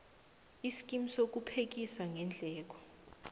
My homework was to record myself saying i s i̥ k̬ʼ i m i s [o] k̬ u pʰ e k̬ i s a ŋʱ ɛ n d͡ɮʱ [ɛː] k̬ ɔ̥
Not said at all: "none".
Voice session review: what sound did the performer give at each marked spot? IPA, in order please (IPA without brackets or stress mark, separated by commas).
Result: o, ɛː